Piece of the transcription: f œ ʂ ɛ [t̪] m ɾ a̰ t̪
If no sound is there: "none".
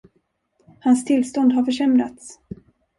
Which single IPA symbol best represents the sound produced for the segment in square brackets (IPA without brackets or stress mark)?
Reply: none